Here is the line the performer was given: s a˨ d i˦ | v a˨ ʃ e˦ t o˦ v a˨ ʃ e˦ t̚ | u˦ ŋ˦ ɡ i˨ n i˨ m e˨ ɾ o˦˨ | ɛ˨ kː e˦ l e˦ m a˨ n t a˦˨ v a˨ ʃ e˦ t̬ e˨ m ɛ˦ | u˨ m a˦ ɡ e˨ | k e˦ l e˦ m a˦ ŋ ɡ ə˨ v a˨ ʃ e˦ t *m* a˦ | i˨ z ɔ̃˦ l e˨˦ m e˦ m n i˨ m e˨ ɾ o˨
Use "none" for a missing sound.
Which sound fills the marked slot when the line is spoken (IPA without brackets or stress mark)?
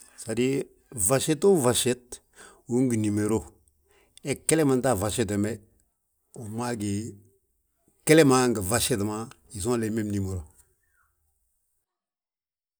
m